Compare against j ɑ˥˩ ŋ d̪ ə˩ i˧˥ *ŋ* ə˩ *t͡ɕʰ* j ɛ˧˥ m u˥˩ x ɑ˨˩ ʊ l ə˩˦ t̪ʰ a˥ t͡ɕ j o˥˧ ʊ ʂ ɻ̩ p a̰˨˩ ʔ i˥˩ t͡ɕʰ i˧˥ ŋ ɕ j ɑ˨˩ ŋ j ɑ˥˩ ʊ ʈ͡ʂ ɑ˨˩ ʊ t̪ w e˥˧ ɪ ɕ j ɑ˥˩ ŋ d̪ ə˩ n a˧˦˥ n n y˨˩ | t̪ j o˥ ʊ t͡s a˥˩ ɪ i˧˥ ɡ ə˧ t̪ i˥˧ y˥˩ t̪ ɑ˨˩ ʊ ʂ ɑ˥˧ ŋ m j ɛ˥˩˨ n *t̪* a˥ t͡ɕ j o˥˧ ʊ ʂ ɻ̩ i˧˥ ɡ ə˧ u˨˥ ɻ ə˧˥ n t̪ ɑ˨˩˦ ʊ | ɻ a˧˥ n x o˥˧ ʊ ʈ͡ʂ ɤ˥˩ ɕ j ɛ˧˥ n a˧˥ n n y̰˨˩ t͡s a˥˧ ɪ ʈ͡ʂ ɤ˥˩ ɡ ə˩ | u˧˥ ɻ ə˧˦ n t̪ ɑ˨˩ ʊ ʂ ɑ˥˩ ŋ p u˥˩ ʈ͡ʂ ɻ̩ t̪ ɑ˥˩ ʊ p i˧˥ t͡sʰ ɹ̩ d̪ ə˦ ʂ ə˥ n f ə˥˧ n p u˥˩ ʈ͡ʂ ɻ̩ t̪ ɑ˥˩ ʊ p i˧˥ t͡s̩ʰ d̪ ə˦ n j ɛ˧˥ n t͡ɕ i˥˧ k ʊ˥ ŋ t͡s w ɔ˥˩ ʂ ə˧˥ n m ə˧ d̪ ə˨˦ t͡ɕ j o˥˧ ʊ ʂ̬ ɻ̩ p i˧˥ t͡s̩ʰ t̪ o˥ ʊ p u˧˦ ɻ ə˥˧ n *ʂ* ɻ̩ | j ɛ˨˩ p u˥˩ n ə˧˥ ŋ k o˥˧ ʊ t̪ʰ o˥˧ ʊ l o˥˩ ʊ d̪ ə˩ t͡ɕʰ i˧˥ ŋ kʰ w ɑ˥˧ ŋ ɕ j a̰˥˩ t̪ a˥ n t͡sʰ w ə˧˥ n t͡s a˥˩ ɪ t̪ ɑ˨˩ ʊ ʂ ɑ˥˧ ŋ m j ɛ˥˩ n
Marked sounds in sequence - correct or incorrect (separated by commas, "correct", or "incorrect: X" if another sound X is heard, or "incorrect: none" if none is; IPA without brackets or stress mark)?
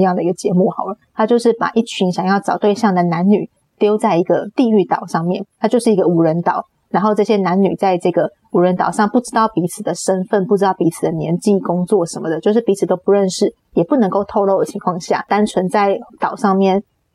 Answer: incorrect: ɡ, incorrect: t͡ɕ, incorrect: t̪ʰ, correct